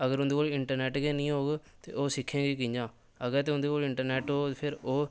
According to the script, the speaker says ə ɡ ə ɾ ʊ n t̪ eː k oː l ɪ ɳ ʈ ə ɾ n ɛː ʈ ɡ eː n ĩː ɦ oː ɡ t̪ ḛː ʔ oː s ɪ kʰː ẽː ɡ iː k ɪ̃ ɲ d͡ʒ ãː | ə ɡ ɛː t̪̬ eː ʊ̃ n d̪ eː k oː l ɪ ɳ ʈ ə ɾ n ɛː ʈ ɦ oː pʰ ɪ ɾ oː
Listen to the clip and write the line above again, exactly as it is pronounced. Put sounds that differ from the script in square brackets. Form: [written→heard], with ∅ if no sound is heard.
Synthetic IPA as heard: ə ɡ ə ɾ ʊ n [t̪→d̪] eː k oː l ɪ ɳ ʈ ə ɾ n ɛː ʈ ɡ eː n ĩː ɦ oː ɡ t̪ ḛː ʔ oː s ɪ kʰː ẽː ɡ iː k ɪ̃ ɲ d͡ʒ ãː | ə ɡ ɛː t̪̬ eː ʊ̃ n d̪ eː k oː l ɪ ɳ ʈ ə ɾ n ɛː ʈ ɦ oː pʰ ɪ ɾ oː